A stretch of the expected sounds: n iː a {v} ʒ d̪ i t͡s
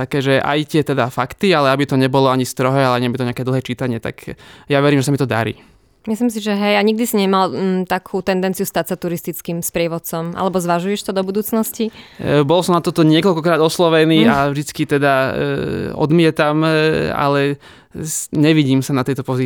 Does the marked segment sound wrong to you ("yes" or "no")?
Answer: no